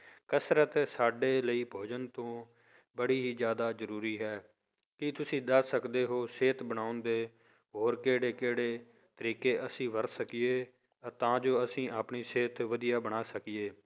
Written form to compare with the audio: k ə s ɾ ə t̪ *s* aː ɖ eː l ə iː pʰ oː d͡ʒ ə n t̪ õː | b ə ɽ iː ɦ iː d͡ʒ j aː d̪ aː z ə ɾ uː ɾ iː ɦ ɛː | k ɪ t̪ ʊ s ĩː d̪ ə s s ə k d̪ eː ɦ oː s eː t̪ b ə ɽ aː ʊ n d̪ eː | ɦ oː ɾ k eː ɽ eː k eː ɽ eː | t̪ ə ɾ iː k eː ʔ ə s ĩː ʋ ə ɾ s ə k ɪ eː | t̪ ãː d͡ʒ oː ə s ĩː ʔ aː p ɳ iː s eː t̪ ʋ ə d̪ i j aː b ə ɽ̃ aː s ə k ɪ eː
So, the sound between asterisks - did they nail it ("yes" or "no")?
yes